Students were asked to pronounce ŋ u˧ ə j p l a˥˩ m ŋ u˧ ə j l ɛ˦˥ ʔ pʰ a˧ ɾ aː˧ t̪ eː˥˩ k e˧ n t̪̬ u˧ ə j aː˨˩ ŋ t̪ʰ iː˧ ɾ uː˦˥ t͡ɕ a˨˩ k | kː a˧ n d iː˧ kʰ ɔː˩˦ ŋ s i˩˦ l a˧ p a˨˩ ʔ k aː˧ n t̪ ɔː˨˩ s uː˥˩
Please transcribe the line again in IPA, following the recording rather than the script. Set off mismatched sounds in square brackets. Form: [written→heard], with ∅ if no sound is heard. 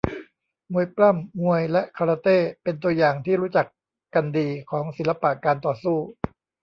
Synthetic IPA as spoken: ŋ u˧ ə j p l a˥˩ m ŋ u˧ ə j l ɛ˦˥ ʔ [pʰ→kʰ] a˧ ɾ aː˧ t̪ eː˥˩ [k→p] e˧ n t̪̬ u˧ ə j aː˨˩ ŋ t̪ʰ [iː˧→iː˥˩] ɾ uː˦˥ t͡ɕ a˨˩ k | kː a˧ n d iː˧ kʰ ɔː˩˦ ŋ s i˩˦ l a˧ p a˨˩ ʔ k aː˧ n t̪ ɔː˨˩ s uː˥˩

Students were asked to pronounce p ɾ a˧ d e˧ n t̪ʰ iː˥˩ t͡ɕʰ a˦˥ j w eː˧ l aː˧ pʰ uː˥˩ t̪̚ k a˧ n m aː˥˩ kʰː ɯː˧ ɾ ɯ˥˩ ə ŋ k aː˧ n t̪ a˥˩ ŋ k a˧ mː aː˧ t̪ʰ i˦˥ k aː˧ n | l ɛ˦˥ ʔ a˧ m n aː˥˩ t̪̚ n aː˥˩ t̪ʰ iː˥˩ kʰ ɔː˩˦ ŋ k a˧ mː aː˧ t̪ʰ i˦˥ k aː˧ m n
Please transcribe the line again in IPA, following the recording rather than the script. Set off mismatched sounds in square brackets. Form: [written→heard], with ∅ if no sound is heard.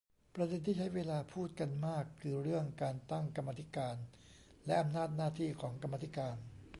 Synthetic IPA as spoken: p ɾ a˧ d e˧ n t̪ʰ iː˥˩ t͡ɕʰ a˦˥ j w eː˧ l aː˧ pʰ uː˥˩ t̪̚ k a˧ n m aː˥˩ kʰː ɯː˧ ɾ ɯ˥˩ ə ŋ k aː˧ n t̪ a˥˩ ŋ k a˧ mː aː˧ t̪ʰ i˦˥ k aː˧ n | l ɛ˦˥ ʔ a˧ m n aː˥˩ t̪̚ n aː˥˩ t̪ʰ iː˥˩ kʰ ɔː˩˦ ŋ k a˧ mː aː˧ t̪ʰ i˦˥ k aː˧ [m→∅] n

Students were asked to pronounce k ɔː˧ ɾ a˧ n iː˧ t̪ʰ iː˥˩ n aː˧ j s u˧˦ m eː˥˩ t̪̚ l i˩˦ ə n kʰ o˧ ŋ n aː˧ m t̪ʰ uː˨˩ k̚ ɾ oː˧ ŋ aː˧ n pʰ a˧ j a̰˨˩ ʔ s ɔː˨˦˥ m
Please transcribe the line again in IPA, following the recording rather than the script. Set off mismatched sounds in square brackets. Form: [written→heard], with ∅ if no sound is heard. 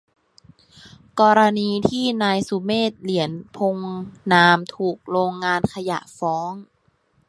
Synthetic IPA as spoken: k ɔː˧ ɾ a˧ n iː˧ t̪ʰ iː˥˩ n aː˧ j s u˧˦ m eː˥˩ t̪̚ l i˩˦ ə n [kʰ→pʰ] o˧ ŋ n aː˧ m t̪ʰ uː˨˩ k̚ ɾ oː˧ [ŋ→ŋː] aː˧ n [pʰ→kʰ] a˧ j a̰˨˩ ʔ [s→f] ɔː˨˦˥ [m→ŋ]

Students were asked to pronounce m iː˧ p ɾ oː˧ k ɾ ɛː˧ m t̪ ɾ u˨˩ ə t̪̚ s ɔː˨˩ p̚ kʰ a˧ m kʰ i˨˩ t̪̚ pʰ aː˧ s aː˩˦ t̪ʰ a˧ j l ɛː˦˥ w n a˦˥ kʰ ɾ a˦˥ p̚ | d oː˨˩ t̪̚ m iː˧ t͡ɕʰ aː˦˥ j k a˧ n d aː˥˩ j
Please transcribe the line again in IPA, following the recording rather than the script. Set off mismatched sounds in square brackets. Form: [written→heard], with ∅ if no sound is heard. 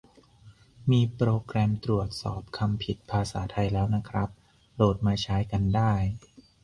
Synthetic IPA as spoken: m iː˧ p ɾ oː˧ k ɾ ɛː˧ m t̪ ɾ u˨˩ ə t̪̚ s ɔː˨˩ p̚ kʰ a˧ m [kʰ→pʰ] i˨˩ t̪̚ pʰ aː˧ s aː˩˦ t̪ʰ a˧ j l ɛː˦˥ w n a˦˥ kʰ ɾ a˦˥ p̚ | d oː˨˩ t̪̚ m [iː˧→aː˧] t͡ɕʰ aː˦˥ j k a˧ n d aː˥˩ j

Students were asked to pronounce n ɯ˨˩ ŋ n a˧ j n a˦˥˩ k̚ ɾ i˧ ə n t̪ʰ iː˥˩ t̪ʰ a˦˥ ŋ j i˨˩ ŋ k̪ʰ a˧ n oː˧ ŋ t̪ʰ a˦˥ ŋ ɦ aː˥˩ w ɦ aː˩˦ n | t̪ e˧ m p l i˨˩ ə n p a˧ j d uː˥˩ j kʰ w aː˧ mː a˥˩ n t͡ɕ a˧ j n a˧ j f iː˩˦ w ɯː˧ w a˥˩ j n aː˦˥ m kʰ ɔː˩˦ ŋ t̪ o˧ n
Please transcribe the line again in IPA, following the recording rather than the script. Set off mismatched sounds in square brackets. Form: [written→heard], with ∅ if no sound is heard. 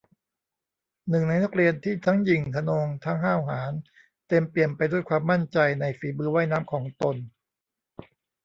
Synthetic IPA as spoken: n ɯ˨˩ ŋ n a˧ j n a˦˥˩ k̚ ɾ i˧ ə n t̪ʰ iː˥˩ t̪ʰ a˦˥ ŋ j i˨˩ ŋ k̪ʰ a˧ n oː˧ ŋ t̪ʰ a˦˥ ŋ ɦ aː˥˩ w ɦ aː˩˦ n | t̪ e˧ m p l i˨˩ ə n p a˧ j d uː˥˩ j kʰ w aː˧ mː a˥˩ n t͡ɕ a˧ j n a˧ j f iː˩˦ [w→b] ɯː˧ w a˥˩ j n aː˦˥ m kʰ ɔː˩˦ ŋ t̪ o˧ n

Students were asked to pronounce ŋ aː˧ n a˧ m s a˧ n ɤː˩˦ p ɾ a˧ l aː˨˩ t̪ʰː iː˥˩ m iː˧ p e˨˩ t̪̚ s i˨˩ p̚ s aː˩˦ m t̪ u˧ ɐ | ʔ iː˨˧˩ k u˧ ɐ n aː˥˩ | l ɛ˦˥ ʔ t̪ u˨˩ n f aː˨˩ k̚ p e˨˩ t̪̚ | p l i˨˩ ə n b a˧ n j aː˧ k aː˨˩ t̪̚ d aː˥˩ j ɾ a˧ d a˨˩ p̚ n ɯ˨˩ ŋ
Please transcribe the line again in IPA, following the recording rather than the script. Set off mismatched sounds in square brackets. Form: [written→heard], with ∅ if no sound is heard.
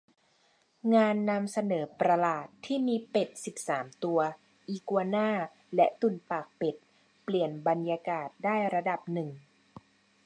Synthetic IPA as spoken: ŋ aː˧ [n→nː] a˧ m s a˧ n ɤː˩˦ p ɾ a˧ l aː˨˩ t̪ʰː iː˥˩ m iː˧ p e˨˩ t̪̚ s i˨˩ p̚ s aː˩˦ m t̪ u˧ ɐ | ʔ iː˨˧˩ k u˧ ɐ n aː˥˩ | l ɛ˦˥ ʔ t̪ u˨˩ n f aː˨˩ k̚ p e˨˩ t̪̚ | p l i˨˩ ə n b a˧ n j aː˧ k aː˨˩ t̪̚ d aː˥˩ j ɾ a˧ d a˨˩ p̚ n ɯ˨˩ ŋ

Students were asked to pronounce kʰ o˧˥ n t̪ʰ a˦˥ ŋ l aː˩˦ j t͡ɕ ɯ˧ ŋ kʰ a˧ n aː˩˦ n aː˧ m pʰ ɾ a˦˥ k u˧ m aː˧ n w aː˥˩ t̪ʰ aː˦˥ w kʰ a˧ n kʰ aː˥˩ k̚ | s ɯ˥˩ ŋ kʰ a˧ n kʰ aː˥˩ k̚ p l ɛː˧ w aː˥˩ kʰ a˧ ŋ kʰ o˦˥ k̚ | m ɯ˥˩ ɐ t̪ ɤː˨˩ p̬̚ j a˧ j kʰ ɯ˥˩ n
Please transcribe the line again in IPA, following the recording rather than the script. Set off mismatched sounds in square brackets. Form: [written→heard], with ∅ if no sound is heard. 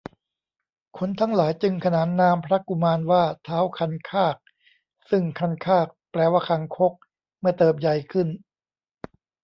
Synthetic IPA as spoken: kʰ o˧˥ n t̪ʰ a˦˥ ŋ l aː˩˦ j t͡ɕ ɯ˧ ŋ kʰ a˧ n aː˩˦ [n→nː] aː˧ m pʰ ɾ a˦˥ k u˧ m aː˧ n w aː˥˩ t̪ʰ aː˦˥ w kʰ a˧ n kʰ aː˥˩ k̚ | s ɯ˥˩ ŋ kʰ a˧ n kʰ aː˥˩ k̚ p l ɛː˧ w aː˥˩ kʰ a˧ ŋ kʰ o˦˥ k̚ | m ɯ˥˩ ɐ t̪ ɤː˨˩ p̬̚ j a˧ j kʰ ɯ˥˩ n

